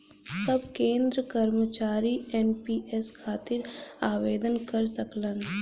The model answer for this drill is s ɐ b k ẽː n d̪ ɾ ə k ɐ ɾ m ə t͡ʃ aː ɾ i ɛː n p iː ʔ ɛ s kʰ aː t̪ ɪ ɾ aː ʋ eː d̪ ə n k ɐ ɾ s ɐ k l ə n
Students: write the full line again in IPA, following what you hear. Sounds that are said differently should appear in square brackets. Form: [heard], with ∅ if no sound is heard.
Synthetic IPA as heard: s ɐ b k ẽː n d̪ ɾ ə k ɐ ɾ m ə t͡ʃ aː ɾ i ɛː n p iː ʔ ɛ s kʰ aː t̪ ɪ ɾ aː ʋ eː d̪ ə n k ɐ ɾ s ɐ k l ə n